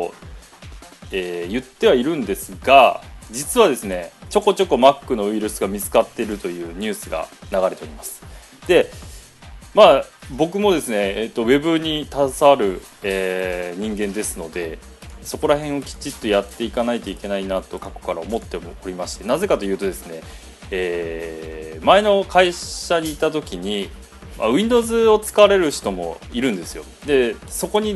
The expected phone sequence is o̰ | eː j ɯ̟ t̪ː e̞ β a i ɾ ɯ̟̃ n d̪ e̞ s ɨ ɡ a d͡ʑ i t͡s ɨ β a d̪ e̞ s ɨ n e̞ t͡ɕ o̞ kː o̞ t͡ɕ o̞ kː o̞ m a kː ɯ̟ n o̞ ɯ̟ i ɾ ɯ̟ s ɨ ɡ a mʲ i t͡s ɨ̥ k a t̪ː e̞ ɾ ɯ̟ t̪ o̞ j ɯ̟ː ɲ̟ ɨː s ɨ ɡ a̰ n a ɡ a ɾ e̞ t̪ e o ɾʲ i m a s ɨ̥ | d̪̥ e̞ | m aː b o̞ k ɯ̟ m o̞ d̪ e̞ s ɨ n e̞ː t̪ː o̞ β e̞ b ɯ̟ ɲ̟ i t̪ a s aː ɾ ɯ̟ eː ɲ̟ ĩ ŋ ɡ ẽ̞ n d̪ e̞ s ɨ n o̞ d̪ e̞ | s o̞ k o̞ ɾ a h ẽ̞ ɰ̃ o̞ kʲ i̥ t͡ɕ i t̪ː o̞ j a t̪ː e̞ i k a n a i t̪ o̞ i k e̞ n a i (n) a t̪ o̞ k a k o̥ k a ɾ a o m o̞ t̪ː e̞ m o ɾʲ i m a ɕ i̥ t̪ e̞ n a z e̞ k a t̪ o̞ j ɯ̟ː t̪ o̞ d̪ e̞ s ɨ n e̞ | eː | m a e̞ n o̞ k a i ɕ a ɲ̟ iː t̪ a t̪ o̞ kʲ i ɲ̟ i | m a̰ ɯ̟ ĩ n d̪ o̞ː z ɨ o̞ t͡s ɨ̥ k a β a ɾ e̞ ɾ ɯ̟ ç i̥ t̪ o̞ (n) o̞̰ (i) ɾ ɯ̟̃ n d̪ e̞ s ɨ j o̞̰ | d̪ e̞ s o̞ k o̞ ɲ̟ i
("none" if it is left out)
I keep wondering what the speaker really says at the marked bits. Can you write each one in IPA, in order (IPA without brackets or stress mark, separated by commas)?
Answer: n, m, i